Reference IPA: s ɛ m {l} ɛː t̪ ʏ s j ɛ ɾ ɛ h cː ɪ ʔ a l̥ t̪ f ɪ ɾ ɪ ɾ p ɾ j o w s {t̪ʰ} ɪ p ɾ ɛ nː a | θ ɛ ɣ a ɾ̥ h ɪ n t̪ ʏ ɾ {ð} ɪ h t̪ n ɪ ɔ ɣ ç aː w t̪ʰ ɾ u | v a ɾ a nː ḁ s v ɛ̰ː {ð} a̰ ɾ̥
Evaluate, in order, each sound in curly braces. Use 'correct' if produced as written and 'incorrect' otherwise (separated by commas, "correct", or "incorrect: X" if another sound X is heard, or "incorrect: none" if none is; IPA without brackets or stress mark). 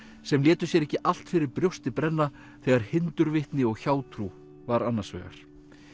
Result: correct, incorrect: t̪, incorrect: v, incorrect: ɣ